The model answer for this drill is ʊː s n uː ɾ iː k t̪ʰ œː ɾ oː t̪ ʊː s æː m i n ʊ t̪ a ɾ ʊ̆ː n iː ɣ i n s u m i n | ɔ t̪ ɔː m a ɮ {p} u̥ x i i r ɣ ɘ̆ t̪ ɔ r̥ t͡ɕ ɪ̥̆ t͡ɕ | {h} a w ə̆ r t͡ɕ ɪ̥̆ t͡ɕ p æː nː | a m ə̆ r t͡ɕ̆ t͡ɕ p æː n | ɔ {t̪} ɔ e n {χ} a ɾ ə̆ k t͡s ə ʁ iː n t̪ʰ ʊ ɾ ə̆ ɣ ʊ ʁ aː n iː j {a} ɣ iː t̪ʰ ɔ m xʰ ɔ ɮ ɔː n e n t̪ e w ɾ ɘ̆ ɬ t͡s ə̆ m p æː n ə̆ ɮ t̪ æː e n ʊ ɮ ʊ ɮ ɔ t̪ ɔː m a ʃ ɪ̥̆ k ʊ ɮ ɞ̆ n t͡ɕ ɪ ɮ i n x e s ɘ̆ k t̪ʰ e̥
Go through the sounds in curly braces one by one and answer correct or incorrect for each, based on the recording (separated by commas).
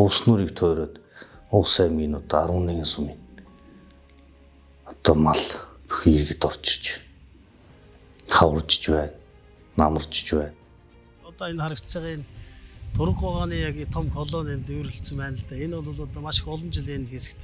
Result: correct, incorrect, correct, correct, correct